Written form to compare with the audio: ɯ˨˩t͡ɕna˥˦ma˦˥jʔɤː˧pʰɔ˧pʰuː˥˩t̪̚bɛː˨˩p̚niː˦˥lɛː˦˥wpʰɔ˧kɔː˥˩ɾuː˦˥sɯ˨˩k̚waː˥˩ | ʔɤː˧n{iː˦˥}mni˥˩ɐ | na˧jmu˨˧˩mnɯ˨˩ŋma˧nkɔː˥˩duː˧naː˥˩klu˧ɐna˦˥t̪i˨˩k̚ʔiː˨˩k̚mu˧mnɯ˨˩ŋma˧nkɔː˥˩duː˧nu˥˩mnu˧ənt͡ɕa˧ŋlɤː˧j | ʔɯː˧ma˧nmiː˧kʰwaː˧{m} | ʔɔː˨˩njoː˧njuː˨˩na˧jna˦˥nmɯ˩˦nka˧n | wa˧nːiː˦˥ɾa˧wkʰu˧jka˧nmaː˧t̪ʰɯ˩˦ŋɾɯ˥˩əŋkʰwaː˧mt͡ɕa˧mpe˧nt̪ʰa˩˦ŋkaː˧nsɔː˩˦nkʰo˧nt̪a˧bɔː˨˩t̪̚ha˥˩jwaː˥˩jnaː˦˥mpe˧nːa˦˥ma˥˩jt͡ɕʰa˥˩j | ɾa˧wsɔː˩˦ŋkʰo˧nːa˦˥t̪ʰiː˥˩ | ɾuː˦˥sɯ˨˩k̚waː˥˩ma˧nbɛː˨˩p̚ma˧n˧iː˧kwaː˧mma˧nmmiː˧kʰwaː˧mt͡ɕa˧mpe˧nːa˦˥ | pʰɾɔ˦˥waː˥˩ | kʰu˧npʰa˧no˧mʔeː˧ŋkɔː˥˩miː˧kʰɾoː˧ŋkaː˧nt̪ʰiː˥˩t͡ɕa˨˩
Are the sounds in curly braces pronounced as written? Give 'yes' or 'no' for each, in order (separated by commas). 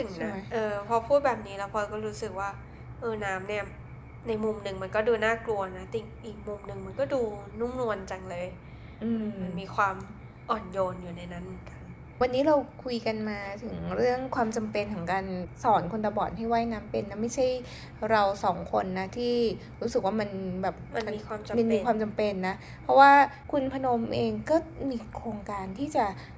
no, yes